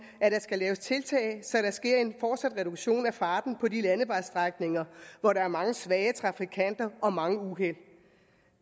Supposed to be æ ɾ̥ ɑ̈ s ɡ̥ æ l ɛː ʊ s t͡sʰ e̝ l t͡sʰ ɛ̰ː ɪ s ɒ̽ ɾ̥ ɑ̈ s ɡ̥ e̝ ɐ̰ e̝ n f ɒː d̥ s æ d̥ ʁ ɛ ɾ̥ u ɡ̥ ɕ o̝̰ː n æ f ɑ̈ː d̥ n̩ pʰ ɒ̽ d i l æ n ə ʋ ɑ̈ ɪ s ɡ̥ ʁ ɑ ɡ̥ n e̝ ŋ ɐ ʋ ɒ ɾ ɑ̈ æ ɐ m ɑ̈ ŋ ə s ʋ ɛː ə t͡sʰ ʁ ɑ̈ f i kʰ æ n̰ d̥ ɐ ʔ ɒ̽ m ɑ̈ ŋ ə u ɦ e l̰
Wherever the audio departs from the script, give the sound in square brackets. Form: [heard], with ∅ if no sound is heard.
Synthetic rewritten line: æ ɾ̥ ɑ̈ s ɡ̥ æ l ɛː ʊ s t͡sʰ e̝ l t͡sʰ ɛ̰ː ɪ s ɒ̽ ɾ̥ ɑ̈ s ɡ̥ e̝ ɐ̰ e̝ n f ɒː d̥ s æ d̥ ʁ ɛ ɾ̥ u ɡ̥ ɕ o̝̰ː n æ f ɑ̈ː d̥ n̩ pʰ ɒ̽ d i l æ n ə ʋ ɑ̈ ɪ s [d̥] ʁ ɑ ɡ̥ n e̝ ŋ ɐ ʋ ɒ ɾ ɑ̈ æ ɐ m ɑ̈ ŋ ə s ʋ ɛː ə t͡sʰ ʁ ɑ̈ f i kʰ æ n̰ d̥ ɐ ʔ ɒ̽ m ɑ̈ ŋ ə u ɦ e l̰